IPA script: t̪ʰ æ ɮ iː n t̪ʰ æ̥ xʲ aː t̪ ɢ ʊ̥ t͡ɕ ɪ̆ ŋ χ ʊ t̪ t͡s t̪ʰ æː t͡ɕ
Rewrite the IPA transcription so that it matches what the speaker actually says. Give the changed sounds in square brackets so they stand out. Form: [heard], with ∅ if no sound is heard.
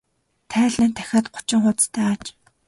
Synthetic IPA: t̪ʰ [æː] ɮ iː n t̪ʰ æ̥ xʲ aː t̪ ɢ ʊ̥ t͡ɕ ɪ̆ ŋ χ ʊ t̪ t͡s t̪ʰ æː t͡ɕ